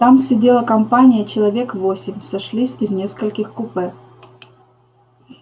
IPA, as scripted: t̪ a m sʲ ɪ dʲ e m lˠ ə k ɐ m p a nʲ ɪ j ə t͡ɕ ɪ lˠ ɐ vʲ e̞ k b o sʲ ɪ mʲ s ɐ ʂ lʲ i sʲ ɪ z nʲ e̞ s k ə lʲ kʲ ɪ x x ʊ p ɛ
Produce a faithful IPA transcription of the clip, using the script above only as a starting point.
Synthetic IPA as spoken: t̪ a m sʲ ɪ dʲ e lˠ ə k ɐ m p a nʲ ɪ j ə t͡ɕ ɪ lˠ ɐ vʲ e̞ k v o sʲ ɪ mʲ s ɐ ʂ lʲ i sʲ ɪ z nʲ e̞ s k ə lʲ kʲ ɪ x k ʊ p ɛ